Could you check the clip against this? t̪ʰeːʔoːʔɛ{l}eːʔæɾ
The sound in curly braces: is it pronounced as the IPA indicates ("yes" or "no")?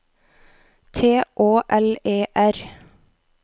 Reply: yes